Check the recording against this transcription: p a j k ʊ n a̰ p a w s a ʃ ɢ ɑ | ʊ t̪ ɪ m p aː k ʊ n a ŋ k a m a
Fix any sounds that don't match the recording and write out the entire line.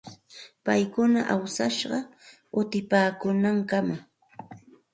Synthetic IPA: p a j k ʊ n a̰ ʔ a w s a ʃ ɢ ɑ | ʊ t̪ ɪ p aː k ʊ n a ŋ k a m a